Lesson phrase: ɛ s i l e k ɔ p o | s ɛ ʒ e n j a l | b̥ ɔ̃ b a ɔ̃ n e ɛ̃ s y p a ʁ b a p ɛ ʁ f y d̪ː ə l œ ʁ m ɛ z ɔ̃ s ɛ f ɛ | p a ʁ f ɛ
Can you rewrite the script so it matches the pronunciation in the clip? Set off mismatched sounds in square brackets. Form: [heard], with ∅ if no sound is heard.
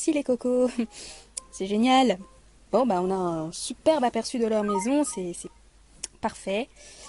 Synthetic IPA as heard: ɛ s i l e k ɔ [k] o | s ɛ ʒ e n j a l | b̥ ɔ̃ b a ɔ̃ n [a] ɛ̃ s y p [ɛ] ʁ b a p ɛ ʁ [s] y [d̪] ə l œ ʁ m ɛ z ɔ̃ s ɛ [s] ɛ | p a ʁ f ɛ

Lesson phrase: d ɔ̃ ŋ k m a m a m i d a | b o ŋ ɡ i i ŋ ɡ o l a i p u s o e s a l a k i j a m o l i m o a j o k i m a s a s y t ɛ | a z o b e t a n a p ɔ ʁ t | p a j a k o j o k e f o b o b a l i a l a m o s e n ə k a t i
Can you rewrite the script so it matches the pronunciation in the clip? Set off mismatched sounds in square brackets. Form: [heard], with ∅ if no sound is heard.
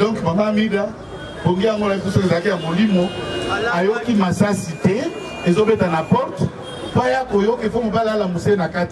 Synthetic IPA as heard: d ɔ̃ ŋ k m a m a m i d a | b o ŋ ɡ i [a] ŋ ɡ o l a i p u s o e [z] a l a k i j a m o l i m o a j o k i m a s a s [i] t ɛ | [e] z o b e t a n a p ɔ ʁ t | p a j a k o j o k e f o [m] o b a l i a l a m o s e n [a] k a t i

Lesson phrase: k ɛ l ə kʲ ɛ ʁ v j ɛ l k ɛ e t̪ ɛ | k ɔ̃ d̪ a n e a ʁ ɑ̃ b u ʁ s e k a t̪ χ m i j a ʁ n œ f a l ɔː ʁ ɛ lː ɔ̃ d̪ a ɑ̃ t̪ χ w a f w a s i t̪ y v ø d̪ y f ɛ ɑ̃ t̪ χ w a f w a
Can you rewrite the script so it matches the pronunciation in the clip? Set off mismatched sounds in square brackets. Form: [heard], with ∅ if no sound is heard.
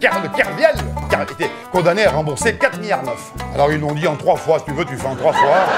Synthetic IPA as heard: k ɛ l ə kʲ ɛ ʁ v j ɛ l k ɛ e t̪ ɛ | k ɔ̃ d̪ a n e a ʁ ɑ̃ b u ʁ s e k a t̪ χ m i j a ʁ n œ f a l [ɔ] ʁ [i] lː ɔ̃ d̪ [i] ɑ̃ t̪ χ w a f w a s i t̪ y v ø [t̪] y f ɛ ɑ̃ t̪ χ w a f w a

